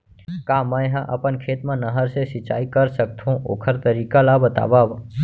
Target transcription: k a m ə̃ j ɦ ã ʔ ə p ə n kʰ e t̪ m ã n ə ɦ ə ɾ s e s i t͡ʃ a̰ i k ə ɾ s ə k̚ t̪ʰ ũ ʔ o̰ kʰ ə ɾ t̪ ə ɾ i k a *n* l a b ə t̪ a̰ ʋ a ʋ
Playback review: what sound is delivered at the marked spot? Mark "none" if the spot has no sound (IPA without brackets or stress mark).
none